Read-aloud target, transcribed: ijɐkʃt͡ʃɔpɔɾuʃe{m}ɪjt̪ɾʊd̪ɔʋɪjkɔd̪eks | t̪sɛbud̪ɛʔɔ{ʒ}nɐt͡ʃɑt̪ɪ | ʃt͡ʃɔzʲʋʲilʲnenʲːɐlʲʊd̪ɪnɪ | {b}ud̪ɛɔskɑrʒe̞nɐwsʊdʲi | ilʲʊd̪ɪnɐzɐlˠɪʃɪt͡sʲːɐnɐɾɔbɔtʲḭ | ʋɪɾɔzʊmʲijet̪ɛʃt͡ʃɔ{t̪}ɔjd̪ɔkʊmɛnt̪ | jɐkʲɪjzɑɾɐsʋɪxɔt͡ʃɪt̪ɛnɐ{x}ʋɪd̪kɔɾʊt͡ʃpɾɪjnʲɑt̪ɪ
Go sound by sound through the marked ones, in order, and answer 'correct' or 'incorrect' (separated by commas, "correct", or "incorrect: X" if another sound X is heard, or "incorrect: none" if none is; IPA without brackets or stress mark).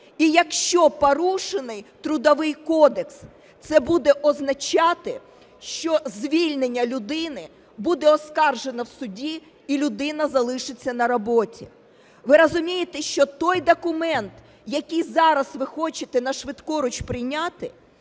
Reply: incorrect: n, incorrect: z, correct, correct, incorrect: ʃ